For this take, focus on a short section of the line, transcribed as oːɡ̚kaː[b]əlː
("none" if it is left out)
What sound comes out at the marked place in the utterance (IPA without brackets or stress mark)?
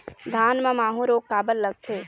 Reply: b